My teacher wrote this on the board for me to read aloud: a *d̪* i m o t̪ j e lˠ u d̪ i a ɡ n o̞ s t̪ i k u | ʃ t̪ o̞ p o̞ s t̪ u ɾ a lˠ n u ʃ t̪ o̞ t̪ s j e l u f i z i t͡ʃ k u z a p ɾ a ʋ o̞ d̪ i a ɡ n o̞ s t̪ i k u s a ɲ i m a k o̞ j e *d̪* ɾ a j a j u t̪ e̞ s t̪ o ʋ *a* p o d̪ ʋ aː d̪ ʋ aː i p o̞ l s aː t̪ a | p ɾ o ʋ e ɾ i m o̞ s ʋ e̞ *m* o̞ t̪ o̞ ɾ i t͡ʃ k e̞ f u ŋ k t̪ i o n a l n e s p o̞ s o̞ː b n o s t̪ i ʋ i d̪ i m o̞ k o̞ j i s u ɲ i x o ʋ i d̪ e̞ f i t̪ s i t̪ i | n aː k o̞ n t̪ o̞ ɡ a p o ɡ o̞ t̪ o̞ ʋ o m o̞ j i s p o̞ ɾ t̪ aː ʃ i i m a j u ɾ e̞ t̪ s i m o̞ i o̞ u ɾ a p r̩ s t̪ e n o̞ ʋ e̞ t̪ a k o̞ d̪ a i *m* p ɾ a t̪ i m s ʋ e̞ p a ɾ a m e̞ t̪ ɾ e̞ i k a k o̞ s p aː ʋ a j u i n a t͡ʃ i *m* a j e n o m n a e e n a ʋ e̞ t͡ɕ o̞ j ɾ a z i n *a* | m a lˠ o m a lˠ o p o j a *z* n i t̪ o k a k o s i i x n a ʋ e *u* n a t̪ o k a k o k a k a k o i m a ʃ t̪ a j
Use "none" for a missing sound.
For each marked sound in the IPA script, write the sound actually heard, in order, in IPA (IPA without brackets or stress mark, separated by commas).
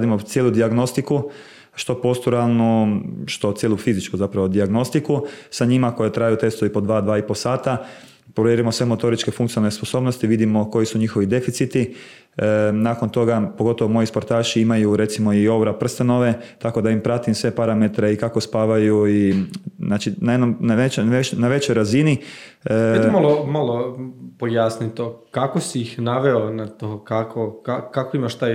d̪, t̪, i, m, m, n, i, s, o